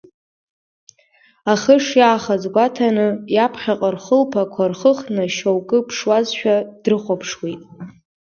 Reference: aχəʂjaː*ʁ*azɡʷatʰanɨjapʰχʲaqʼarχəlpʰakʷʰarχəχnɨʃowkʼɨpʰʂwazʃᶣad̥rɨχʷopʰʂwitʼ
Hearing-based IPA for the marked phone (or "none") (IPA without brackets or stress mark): χ